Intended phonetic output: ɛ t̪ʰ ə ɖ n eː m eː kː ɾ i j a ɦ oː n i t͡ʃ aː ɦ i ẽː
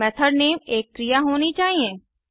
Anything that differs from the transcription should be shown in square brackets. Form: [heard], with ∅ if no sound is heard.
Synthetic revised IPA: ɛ t̪ʰ ə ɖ n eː m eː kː ɾ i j a ɦ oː n i t͡ʃ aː ɦ i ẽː